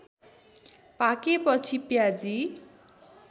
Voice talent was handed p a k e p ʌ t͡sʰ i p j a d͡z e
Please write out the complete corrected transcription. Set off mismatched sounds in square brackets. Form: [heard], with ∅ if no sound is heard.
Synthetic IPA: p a k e p ʌ t͡sʰ i p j a d͡z [i]

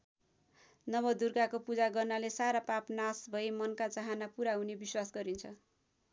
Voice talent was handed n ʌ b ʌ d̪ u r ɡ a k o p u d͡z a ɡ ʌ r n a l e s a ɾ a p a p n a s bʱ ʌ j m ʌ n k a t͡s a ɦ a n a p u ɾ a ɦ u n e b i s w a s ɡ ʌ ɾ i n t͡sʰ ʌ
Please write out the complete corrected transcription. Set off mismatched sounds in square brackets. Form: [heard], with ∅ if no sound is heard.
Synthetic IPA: n ʌ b ʌ d̪ u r ɡ a k o p u d͡z a ɡ ʌ r n a l e s a ɾ a p a p n a s bʱ ʌ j m ʌ n k a t͡s a ɦ a n a p u ɾ a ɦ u n e b i s w a s ɡ ʌ ɾ i n t͡sʰ ʌ

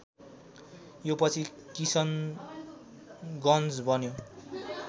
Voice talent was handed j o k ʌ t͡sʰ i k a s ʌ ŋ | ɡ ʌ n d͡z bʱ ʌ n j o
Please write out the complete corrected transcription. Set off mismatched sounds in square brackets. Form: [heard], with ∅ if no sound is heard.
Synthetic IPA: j o [p] ʌ t͡sʰ i k [i] s ʌ [n] | ɡ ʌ n d͡z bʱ ʌ n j o

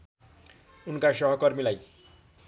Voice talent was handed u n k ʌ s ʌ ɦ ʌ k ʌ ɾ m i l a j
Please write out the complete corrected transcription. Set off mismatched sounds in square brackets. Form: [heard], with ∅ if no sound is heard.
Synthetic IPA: u n k [a] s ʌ ɦ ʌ k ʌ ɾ m i l a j

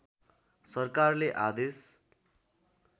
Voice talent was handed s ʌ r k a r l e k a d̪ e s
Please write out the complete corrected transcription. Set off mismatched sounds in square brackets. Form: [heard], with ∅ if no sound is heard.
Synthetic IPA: s ʌ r k a r l e [ʔ] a d̪ e s

